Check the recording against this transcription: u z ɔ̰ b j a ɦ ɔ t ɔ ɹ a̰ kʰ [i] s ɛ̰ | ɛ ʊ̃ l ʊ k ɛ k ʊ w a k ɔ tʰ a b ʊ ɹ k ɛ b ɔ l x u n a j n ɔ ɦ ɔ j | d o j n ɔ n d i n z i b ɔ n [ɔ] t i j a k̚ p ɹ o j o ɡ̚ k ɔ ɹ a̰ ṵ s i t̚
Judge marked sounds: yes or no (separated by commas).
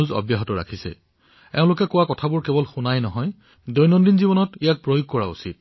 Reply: yes, yes